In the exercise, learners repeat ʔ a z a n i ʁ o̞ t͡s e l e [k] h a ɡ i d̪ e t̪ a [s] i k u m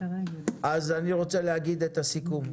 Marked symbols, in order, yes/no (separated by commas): no, yes